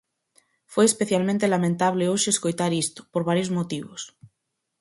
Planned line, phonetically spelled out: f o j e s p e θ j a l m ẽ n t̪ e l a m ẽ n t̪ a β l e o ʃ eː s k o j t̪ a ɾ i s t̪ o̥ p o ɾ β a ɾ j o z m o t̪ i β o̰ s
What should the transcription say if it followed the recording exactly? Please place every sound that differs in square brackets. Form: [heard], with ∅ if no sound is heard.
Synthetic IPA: f o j e s p e θ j a l m ẽ n t̪ e l a m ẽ n t̪ a β l e o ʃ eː s k o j t̪ a ɾ i s t̪ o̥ p o ɾ β a ɾ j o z m o t̪ i β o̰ s